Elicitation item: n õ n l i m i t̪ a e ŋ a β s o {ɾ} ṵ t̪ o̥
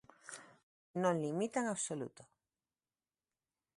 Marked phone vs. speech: incorrect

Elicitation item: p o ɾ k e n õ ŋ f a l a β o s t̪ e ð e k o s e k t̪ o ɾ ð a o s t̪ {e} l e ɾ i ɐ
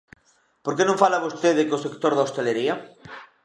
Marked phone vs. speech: correct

